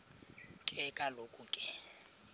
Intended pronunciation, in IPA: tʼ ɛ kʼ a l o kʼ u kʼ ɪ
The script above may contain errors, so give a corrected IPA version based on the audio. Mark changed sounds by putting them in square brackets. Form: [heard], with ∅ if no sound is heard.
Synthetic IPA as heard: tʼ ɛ kʼ a l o kʼ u kʼ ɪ